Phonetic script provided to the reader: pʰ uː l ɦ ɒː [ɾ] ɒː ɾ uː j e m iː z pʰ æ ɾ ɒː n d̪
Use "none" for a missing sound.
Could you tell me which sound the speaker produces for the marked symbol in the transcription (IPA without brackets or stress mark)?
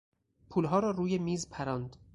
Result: ɾ